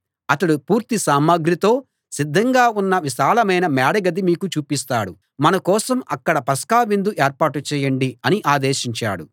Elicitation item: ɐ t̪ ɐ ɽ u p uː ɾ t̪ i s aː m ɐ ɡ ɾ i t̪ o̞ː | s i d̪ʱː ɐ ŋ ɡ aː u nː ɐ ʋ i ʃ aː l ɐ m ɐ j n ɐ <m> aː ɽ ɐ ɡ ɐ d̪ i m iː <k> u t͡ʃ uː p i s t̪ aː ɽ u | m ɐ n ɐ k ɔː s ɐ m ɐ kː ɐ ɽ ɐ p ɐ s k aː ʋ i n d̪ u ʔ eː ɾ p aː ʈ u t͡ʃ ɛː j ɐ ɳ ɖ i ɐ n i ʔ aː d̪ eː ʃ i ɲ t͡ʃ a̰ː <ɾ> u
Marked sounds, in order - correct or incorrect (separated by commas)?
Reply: correct, correct, incorrect